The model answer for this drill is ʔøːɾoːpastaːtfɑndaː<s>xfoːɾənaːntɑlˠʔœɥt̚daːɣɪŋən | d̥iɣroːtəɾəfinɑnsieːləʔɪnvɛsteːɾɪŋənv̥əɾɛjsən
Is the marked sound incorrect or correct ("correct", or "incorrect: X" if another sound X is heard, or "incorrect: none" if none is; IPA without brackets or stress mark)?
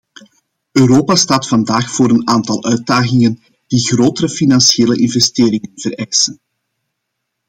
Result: incorrect: none